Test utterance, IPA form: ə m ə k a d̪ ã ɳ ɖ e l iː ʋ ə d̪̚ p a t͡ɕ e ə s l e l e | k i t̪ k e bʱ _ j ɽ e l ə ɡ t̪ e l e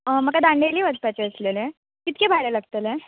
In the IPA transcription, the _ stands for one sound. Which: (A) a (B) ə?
A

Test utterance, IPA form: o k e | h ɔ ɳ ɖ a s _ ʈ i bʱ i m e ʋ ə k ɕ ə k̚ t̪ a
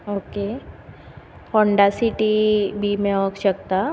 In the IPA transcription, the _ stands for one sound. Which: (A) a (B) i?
B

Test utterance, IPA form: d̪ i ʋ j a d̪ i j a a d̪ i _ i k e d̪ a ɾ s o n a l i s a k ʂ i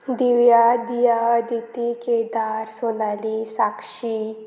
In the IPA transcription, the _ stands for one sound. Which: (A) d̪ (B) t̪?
B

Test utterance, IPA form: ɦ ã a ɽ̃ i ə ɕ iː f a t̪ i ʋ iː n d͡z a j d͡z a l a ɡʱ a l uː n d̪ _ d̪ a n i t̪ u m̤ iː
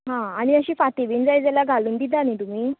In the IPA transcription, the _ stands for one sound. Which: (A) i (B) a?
A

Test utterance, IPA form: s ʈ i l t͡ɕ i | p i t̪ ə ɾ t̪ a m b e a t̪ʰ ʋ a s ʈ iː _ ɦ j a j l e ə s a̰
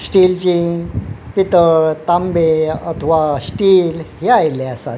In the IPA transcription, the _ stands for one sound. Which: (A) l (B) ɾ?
A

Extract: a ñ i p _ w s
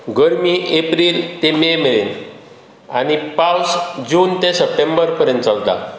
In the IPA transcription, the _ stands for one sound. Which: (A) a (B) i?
A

